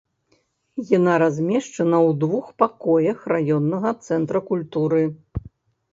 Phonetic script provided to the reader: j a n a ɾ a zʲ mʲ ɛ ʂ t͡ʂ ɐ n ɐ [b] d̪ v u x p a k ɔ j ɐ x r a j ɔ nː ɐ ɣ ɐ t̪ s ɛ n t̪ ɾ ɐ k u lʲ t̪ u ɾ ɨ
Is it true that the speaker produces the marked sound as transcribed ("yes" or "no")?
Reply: no